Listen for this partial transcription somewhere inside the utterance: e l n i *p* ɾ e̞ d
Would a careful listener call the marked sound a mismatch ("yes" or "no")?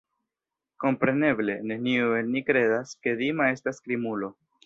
yes